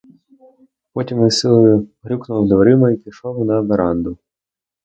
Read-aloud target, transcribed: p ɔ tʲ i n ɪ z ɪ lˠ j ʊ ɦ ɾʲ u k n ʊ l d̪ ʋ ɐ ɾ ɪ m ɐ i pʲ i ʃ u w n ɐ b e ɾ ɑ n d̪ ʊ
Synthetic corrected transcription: p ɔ tʲ i m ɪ s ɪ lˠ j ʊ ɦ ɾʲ u k n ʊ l d̪ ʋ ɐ ɾ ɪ m ɐ i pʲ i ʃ ɔ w n ɐ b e ɾ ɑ n d̪ ʊ